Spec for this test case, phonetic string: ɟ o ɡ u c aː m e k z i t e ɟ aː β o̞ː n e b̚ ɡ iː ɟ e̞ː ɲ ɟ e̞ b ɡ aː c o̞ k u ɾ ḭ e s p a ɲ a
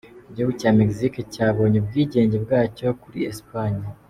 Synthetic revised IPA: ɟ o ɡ u c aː m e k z i k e c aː β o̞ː ɲ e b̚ ɡ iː ɟ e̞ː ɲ ɟ e̞ b ɡ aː c o̞ k u ɾ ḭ e s p a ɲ a